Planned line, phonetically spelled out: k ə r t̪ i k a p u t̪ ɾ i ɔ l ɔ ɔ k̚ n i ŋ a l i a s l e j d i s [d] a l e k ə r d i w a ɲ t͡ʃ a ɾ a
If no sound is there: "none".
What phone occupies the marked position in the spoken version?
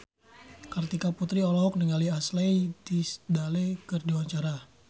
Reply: d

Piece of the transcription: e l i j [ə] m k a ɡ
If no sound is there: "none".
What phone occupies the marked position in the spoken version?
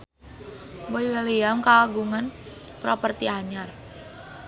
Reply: a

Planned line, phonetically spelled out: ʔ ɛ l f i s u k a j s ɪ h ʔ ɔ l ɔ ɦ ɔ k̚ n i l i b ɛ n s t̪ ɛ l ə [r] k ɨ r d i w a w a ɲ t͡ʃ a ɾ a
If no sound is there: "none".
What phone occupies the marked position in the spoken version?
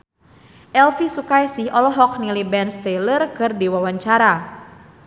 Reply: r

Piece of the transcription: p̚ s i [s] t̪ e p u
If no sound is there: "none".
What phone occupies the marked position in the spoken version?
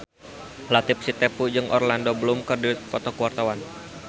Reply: none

